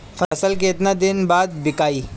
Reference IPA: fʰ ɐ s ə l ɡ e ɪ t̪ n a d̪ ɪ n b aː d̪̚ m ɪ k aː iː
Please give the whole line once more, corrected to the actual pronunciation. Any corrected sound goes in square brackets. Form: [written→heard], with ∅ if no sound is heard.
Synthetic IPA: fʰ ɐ s ə l [ɡ→k] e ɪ t̪ n a d̪ ɪ n b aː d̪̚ [m→b] ɪ k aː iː